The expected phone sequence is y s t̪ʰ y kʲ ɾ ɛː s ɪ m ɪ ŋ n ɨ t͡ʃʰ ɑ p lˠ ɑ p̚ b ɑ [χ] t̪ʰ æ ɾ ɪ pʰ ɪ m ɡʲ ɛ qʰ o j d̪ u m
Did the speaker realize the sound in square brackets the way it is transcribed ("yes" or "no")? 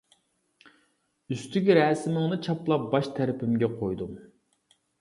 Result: no